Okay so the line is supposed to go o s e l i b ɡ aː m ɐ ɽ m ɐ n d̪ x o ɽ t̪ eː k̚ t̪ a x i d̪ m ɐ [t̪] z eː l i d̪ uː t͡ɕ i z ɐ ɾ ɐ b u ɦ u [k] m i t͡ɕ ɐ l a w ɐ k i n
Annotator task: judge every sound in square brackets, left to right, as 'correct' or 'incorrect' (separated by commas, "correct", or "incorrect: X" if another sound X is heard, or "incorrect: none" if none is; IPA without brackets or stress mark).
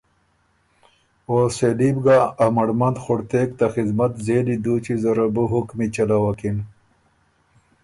correct, correct